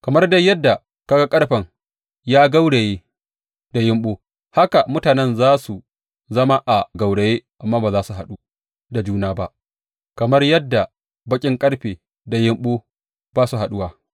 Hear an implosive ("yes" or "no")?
yes